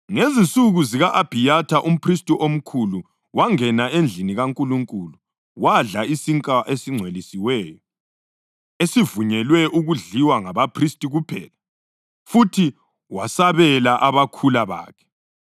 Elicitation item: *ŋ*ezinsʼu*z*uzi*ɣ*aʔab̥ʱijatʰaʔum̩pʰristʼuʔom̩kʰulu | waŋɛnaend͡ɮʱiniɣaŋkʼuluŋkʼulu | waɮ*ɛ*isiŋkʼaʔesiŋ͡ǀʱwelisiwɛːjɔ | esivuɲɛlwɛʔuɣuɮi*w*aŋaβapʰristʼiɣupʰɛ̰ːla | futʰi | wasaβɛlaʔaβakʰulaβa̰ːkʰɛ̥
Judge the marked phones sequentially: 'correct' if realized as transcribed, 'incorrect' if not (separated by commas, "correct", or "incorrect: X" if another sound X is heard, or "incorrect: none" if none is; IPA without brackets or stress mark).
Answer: correct, incorrect: ɣ, correct, incorrect: a, correct